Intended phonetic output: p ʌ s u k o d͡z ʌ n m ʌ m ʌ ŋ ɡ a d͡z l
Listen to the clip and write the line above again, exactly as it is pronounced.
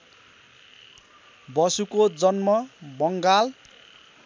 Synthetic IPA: b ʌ s u k o d͡z ʌ n m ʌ b ʌ ŋ ɡ a l